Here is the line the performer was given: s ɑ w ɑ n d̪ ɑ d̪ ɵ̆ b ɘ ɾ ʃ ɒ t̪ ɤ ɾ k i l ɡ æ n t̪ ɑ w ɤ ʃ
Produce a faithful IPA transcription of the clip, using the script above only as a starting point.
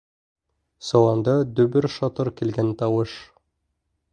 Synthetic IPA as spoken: s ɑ w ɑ n d̪ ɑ d̪ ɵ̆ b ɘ ɾ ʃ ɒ t̪ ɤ ɾ k i l ɡ æ n t̪ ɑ w ɤ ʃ